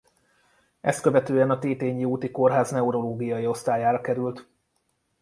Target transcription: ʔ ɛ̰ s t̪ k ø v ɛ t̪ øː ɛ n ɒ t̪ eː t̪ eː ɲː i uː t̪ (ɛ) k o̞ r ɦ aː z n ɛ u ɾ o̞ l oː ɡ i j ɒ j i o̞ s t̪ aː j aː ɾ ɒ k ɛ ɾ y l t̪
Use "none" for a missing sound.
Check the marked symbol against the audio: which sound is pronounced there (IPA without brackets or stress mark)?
i